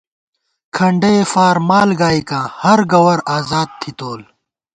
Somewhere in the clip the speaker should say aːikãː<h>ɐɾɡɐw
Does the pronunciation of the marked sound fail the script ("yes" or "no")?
no